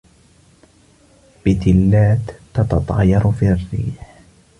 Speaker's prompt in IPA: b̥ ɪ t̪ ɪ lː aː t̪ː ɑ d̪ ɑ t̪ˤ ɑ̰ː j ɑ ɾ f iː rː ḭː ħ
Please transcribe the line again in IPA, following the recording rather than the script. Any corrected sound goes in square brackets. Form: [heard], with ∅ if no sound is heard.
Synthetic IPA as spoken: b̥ ɪ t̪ ɪ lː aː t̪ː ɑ [t̪] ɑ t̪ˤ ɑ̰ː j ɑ ɾ f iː rː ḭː ħ